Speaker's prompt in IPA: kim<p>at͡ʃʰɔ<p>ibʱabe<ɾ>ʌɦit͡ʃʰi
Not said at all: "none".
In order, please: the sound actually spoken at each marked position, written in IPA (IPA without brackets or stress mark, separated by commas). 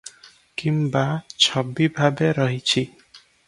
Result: b, b, ɾ